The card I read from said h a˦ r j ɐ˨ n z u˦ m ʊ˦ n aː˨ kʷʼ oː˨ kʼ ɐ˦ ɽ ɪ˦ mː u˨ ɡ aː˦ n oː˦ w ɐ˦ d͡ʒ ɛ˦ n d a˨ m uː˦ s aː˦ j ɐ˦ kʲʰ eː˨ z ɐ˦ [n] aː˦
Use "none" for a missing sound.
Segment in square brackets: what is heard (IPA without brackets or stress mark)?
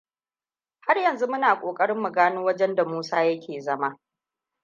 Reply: m